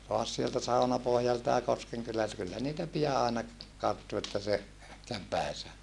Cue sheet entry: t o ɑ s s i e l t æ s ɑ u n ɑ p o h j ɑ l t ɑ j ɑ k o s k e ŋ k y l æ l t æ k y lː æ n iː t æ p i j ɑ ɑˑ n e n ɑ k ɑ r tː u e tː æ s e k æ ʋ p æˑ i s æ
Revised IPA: t o ɑ s s i e l t æ s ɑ u n ɑ p o h j ɑ l t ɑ j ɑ k o s k e ŋ k y l æ l t æ k y lː æ n iː t æ p i j ɑ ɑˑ e n ɑ k ɑ r tː u e tː æ s e k æ ʋ p æˑ i s æ